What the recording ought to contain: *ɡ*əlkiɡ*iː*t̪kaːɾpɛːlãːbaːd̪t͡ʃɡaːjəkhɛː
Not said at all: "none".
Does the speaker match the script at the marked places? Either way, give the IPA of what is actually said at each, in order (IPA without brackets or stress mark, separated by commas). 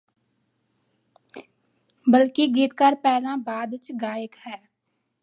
b, iː